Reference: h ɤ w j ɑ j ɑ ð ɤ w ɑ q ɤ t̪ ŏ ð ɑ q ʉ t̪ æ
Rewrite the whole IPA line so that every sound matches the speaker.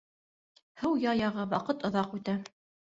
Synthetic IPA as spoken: h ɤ w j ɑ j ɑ ʁ ɤ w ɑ q ɤ t̪ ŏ ð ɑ q ʉ t̪ æ